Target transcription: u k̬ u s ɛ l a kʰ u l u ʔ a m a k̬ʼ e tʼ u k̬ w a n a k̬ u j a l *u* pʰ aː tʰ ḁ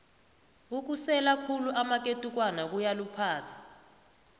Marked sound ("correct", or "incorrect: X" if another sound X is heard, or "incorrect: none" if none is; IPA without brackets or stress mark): correct